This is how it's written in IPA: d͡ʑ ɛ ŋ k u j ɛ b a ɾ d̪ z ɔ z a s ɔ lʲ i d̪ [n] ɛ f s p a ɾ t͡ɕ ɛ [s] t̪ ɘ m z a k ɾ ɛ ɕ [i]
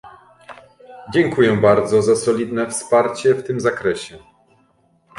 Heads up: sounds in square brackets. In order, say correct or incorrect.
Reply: correct, incorrect, incorrect

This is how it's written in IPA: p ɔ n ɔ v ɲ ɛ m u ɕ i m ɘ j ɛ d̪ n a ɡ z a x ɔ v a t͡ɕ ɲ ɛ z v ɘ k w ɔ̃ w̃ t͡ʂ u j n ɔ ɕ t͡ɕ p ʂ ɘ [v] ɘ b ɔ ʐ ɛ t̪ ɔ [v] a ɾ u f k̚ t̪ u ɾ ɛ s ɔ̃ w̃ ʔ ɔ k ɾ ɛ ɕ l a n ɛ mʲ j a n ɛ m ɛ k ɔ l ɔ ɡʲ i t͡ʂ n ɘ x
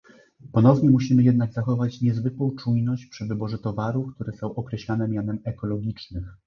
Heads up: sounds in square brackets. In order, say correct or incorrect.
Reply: correct, correct

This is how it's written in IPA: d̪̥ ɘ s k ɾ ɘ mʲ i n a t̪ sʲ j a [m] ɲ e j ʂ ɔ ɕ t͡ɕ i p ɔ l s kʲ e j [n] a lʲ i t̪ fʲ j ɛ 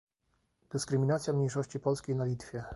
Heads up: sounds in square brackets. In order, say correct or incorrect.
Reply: correct, correct

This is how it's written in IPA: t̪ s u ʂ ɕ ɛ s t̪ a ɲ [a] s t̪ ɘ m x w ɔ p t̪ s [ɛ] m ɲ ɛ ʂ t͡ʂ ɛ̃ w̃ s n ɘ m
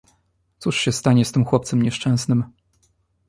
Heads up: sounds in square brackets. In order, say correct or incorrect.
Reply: incorrect, correct

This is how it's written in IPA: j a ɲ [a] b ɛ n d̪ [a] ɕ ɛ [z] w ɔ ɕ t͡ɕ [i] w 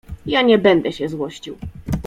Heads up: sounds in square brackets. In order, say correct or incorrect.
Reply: incorrect, incorrect, correct, correct

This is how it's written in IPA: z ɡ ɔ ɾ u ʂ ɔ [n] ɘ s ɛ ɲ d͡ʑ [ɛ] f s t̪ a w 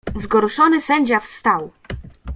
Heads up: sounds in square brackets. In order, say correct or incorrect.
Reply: correct, incorrect

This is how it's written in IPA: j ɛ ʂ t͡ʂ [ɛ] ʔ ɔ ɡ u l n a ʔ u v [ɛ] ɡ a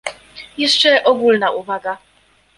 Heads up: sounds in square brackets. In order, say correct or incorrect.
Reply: correct, incorrect

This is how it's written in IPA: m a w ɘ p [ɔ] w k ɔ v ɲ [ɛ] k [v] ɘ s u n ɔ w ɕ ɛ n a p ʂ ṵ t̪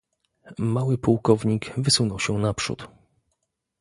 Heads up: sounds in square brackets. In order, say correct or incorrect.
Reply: incorrect, incorrect, correct

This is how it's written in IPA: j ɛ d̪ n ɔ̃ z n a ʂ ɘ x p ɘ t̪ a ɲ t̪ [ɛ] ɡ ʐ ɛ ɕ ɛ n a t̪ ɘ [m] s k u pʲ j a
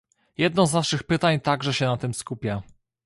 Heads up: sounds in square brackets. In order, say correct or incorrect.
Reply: incorrect, correct

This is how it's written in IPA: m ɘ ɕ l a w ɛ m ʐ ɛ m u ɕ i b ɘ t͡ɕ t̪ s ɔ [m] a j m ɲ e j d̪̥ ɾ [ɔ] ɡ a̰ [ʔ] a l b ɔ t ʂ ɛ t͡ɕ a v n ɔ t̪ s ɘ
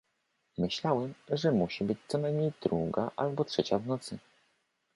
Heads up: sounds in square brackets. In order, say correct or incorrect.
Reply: incorrect, incorrect, correct

